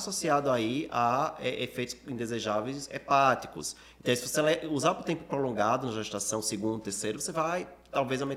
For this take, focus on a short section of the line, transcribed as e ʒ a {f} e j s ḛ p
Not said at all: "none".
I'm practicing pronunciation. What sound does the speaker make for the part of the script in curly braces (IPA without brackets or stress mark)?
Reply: v